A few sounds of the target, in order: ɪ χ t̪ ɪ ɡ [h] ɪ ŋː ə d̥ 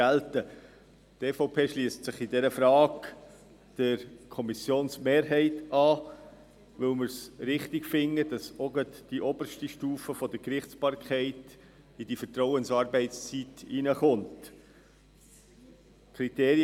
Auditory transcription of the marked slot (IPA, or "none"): f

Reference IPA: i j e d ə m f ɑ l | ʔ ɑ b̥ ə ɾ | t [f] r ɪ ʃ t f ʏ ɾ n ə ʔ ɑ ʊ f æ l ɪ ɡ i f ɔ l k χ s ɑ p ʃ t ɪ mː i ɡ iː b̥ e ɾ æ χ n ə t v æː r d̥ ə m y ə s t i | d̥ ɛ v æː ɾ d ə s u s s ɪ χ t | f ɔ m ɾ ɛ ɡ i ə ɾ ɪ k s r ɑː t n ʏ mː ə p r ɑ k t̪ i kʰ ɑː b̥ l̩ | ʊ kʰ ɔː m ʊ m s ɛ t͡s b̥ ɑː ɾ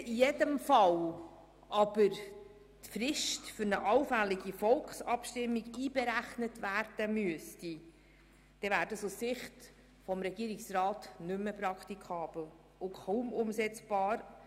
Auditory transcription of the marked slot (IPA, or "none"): f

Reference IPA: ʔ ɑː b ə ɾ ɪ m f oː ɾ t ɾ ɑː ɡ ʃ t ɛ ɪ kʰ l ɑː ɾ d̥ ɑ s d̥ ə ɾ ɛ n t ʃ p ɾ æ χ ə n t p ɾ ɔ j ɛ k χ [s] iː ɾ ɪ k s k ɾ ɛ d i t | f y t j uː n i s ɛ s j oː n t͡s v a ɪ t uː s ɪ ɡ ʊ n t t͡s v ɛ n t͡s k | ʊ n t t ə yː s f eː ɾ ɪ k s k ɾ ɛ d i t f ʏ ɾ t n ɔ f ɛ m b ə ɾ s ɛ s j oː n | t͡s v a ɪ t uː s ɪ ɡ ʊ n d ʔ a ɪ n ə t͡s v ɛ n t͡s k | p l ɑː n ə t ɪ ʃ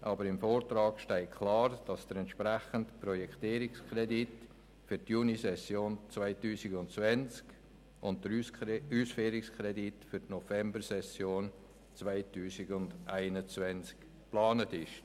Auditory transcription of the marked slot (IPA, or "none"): t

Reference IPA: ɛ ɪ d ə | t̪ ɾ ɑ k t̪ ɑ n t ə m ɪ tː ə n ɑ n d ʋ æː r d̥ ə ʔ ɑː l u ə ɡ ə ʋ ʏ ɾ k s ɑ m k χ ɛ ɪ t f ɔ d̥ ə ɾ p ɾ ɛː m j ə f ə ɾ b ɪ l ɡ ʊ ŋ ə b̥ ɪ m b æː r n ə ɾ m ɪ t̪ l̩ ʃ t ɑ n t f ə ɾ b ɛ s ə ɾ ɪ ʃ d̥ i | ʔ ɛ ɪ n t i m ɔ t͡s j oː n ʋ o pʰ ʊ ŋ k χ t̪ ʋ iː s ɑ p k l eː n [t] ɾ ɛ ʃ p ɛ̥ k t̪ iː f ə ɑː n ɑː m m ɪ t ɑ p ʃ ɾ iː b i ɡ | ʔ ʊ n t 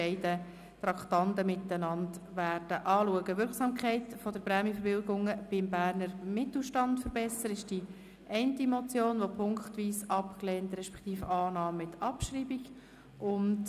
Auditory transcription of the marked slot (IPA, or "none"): t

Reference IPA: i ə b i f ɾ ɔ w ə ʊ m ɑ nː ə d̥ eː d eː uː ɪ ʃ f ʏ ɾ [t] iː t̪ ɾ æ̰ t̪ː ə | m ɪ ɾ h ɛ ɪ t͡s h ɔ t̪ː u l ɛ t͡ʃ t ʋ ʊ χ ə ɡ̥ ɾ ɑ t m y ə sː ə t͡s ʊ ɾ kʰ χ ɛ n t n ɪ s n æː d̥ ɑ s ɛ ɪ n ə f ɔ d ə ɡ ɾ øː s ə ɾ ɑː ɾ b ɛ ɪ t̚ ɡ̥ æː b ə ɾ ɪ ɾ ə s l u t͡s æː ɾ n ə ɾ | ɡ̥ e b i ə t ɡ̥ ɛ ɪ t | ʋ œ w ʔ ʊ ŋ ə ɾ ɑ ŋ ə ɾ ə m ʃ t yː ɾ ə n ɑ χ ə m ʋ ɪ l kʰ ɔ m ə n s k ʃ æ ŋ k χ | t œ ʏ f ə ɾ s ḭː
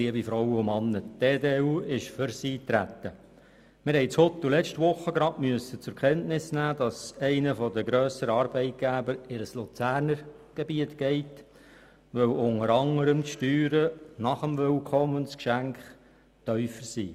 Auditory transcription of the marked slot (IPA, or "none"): s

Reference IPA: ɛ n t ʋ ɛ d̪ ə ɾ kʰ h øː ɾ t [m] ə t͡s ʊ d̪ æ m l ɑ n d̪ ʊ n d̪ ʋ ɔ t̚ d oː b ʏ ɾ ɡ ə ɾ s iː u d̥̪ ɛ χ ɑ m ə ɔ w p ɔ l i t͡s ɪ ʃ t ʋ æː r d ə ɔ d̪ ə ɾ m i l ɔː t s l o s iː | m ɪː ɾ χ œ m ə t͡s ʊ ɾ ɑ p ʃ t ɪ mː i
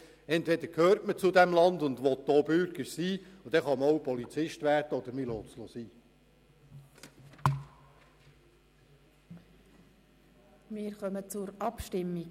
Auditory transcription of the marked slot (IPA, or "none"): m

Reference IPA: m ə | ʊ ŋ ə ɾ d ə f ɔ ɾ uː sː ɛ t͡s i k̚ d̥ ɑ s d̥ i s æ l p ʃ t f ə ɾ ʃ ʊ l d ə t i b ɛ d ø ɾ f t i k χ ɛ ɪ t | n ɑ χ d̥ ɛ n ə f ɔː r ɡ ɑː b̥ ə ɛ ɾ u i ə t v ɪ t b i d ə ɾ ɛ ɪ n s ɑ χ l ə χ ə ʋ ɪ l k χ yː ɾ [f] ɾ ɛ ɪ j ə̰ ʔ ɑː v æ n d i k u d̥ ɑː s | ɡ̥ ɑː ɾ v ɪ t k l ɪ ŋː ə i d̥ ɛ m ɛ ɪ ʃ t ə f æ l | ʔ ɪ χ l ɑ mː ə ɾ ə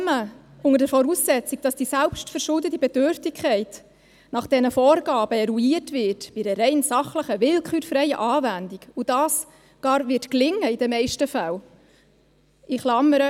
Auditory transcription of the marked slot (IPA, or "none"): f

